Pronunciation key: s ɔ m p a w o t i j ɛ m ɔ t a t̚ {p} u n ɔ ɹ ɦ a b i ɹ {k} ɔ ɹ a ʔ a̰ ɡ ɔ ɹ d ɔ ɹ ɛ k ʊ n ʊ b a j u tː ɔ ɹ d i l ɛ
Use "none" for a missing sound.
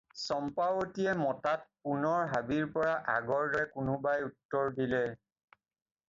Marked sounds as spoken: p, p

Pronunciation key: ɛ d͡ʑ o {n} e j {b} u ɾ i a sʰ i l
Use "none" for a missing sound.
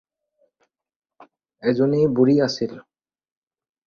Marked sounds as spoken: n, b

